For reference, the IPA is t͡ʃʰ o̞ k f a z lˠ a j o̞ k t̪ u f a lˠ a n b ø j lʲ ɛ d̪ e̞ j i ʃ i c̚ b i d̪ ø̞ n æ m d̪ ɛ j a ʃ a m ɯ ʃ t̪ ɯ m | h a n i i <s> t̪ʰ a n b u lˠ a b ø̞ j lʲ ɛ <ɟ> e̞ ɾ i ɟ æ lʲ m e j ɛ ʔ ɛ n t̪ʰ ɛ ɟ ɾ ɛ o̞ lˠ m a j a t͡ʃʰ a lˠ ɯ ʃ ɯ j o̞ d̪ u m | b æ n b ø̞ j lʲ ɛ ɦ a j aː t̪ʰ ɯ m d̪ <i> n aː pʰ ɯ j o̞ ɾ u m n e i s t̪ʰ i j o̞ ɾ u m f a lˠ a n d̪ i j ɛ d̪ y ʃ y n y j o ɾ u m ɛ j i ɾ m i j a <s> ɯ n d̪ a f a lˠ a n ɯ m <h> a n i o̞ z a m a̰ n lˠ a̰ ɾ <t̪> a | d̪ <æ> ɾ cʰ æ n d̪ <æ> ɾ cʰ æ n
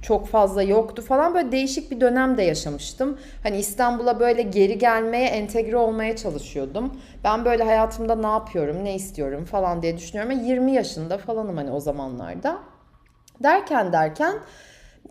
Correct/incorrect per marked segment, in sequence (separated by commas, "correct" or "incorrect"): correct, correct, incorrect, incorrect, correct, incorrect, correct, correct